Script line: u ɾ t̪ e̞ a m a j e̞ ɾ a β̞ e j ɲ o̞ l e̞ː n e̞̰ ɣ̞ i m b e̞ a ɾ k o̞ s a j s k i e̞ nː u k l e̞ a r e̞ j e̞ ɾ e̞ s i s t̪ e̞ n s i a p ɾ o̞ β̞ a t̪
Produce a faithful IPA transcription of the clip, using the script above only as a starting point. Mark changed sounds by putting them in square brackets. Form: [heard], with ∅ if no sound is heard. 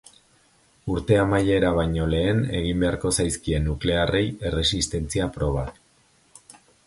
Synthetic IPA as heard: u ɾ t̪ e̞ a m a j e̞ ɾ a β̞ [a] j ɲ o̞ l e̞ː n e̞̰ ɣ̞ i m b e̞ a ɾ k o̞ s a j s k i e̞ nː u k l e̞ a r e̞ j e̞ [r] e̞ s i s t̪ e̞ n [t͡s] i a p ɾ o̞ β̞ a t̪

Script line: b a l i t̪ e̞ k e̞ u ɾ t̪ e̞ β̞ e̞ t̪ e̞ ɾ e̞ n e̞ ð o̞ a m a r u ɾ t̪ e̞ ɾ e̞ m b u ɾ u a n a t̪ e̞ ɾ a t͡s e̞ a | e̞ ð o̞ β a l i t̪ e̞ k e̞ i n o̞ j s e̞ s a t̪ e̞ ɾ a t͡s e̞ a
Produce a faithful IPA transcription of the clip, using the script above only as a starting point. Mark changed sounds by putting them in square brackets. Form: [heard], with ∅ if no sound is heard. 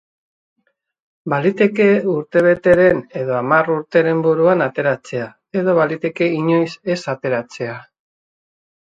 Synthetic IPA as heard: b a l i t̪ e̞ k e̞ u ɾ t̪ e̞ β̞ e̞ t̪ e̞ ɾ e̞ n e̞ ð o̞ a m a r u ɾ t̪ e̞ ɾ e̞ m b u ɾ u a n a t̪ e̞ ɾ a t͡s e̞ a | e̞ ð o̞ β a l i t̪ e̞ k e̞ i [ɲ] o̞ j s e̞ s a t̪ e̞ ɾ a t͡s e̞ a

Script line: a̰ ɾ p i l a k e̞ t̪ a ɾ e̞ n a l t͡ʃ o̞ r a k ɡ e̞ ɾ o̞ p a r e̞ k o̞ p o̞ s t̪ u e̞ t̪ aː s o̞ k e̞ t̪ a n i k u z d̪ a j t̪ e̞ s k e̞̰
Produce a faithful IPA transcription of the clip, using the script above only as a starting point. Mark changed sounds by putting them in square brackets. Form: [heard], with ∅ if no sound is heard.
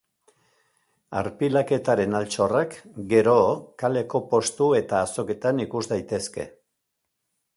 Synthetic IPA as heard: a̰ ɾ p i l a k e̞ t̪ a ɾ e̞ n a l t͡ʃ o̞ r a k ɡ e̞ ɾ o̞ [k] a [l] e̞ k o̞ p o̞ s t̪ u e̞ t̪ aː s o̞ k e̞ t̪ a n i k u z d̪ a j t̪ e̞ s k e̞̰

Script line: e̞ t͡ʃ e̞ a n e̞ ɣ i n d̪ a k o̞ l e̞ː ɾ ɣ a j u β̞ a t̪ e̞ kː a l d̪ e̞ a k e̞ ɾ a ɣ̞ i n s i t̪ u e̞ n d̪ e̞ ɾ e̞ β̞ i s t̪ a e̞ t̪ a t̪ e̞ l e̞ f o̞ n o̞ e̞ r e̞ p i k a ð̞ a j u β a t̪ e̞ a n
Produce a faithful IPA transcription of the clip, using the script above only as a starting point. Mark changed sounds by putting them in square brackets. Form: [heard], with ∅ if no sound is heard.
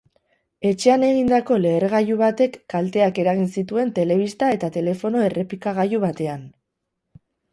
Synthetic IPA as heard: e̞ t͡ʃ e̞ a n e̞ ɣ i n d̪ a k o̞ l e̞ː ɾ ɣ a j u β̞ a t̪ e̞ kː a l [t̪] e̞ a k e̞ ɾ a ɣ̞ i n s i t̪ u e̞ n [t̪] e̞ [l] e̞ β̞ i s t̪ a e̞ t̪ a t̪ e̞ l e̞ f o̞ n o̞ e̞ r e̞ p i k a [ɣ̞] a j u β a t̪ e̞ a n

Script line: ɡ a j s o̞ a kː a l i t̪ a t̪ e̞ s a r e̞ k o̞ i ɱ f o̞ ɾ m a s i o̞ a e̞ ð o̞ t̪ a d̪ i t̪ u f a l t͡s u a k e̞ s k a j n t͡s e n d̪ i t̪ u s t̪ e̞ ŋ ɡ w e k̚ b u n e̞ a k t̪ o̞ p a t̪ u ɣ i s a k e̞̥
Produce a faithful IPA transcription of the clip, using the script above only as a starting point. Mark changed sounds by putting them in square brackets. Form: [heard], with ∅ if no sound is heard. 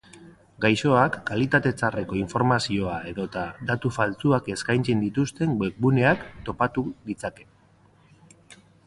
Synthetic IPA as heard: ɡ a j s o̞ a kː a l i t̪ a t̪ e̞ [t͡s] a r e̞ k o̞ i ɱ f o̞ ɾ m a s i o̞ a e̞ ð o̞ t̪ a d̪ [a] t̪ u f a l t͡s u a k e̞ s k a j n t͡s e n d̪ i t̪ u s t̪ e̞ ŋ ɡ w e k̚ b u n e̞ a k t̪ o̞ p a t̪ u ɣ i [t͡s] a k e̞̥

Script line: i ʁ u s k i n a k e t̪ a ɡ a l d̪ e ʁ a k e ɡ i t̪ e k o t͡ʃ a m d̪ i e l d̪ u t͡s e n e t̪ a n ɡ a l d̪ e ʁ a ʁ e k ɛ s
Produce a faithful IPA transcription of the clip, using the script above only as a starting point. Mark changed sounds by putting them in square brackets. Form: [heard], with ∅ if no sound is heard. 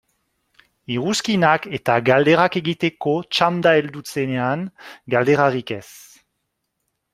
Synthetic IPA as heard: i ʁ u s k i n a k e t̪ a ɡ a l d̪ e ʁ a k e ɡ i t̪ e k o t͡ʃ a m d̪ [a] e l d̪ u t͡s e n e [∅] a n ɡ a l d̪ e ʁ a ʁ [i] k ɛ s

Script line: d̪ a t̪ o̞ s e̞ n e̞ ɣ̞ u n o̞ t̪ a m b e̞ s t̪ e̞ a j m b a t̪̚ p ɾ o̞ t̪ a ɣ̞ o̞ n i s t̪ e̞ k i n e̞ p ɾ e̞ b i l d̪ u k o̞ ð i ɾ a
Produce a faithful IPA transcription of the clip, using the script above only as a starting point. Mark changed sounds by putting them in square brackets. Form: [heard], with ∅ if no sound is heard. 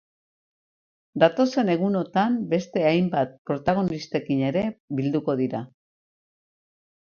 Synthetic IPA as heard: d̪ a t̪ o̞ s e̞ n e̞ ɣ̞ u n o̞ t̪ a m b e̞ s t̪ e̞ a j m b a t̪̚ p ɾ o̞ t̪ a ɣ̞ o̞ n i s t̪ e̞ k i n e̞ [∅] ɾ e̞ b i l d̪ u k o̞ ð i ɾ a

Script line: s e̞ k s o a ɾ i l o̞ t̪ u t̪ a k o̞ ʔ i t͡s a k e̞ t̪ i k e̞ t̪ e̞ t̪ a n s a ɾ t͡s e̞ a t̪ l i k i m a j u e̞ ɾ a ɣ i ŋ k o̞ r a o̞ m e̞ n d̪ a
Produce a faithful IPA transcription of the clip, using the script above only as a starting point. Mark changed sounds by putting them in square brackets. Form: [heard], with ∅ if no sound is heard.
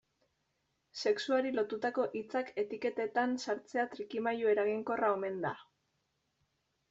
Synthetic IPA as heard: s e̞ k s [u] a ɾ i l o̞ t̪ u t̪ a k o̞ ʔ i t͡s a k e̞ t̪ i k e̞ t̪ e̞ t̪ a n s a ɾ t͡s e̞ a t̪ [ɾ] i k i m a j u e̞ ɾ a ɣ i ŋ k o̞ r a o̞ m e̞ n d̪ a

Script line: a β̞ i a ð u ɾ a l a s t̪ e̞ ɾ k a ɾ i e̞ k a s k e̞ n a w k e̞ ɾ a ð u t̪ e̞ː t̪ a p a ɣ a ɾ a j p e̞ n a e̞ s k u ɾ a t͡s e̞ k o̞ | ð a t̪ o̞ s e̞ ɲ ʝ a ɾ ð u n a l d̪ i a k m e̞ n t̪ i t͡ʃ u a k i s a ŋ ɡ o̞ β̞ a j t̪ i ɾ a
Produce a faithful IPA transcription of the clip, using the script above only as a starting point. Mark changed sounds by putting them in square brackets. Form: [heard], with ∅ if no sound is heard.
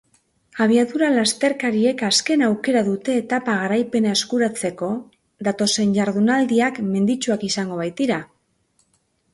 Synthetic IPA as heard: a β̞ i a ð u ɾ a l a s t̪ e̞ ɾ k a ɾ i e̞ k a s k e̞ n a w k e̞ ɾ a ð u t̪ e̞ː t̪ a p a ɣ a ɾ a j p e̞ n a e̞ s k u ɾ a t͡s e̞ k o̞ | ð a t̪ o̞ s e̞ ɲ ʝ a ɾ ð u n a l d̪ i a k m e̞ n [d̪] i t͡ʃ u a k i s a ŋ ɡ o̞ β̞ a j t̪ i ɾ a

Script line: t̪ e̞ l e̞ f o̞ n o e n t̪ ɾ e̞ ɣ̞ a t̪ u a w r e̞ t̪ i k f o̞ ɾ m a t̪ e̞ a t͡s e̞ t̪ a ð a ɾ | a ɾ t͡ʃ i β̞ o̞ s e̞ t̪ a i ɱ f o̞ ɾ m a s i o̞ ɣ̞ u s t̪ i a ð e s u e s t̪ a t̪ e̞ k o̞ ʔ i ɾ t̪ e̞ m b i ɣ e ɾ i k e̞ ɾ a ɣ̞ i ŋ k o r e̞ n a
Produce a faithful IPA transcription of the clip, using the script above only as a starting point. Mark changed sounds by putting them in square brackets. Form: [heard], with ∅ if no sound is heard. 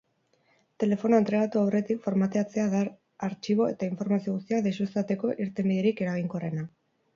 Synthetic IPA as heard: t̪ e̞ l e̞ f o̞ n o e n t̪ ɾ e̞ ɣ̞ a t̪ u a w r e̞ t̪ i k f o̞ ɾ m a t̪ e̞ a t͡s e̞ [∅] a ð a ɾ | a ɾ t͡ʃ i β̞ o̞ [∅] e̞ t̪ a i ɱ f o̞ ɾ m a s i o̞ ɣ̞ u s t̪ i a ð e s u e s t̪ a t̪ e̞ k o̞ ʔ i ɾ t̪ e̞ m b i [ð] e ɾ i k e̞ ɾ a ɣ̞ i ŋ k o r e̞ n a

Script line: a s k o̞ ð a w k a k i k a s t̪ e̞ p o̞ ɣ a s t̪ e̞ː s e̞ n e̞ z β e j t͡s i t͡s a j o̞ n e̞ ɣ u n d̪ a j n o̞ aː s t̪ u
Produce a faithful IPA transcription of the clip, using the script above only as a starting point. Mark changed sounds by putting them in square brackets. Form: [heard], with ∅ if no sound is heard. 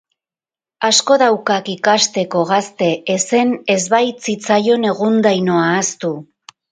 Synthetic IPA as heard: a s k o̞ ð a w k a k i k a s t̪ e̞ [k] o̞ ɣ a s t̪ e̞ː s e̞ n e̞ z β [a] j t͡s i t͡s a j o̞ n e̞ ɣ u n d̪ a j n o̞ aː s t̪ u

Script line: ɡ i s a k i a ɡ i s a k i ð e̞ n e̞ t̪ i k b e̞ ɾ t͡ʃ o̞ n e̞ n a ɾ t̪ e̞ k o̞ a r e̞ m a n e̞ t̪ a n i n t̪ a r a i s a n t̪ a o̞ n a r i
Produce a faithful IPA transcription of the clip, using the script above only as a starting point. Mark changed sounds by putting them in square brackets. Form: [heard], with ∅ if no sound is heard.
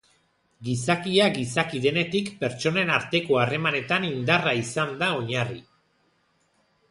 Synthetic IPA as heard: ɡ i s a k i a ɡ i s a k i ð e̞ n e̞ t̪ i k [p] e̞ ɾ t͡ʃ o̞ n e̞ n a ɾ t̪ e̞ k o̞ a r e̞ m a n e̞ t̪ a n i n [d̪] a r a i s a n [d̪] a o̞ [ɲ] a r i

